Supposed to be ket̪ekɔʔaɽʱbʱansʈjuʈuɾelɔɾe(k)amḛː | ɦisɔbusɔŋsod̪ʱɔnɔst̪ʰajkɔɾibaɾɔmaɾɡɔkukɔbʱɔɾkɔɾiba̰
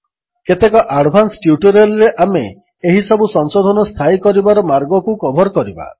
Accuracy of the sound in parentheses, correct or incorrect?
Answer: incorrect